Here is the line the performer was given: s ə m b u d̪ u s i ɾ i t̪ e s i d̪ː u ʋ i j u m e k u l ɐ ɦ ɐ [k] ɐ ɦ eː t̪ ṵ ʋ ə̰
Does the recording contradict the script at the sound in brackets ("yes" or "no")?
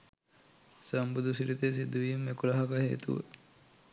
no